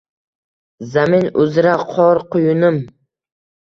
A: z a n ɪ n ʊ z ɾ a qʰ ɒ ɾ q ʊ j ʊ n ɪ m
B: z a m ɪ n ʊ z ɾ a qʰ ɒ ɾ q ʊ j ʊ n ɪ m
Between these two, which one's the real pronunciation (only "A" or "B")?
B